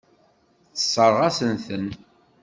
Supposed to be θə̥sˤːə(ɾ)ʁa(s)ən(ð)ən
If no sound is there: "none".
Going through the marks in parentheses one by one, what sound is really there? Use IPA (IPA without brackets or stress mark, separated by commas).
ɾ, s, θ